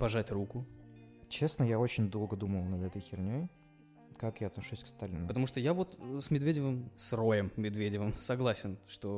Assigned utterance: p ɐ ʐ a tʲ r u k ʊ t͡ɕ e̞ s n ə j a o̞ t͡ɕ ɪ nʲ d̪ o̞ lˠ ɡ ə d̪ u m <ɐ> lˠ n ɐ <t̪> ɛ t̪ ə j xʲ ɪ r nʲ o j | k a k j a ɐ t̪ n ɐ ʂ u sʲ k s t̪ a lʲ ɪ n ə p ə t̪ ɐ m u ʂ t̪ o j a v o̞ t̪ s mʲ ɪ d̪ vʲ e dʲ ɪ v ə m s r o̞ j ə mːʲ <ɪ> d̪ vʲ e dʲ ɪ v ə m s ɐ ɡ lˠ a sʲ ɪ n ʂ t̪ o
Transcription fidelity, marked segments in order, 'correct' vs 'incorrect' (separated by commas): incorrect, incorrect, correct